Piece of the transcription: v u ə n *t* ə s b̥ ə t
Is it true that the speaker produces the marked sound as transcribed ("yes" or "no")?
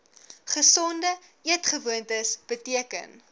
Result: yes